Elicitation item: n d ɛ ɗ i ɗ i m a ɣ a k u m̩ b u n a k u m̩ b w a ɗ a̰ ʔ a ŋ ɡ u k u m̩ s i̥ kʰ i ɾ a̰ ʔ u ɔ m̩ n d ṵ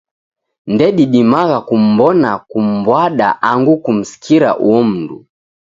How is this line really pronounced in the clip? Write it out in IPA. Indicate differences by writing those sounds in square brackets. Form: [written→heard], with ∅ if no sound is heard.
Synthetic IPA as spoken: n d ɛ ɗ i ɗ i m a ɣ a k u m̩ b [u→ɔ] n a k u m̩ b w a ɗ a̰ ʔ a ŋ ɡ u k u m̩ s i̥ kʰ i ɾ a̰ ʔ u ɔ m̩ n d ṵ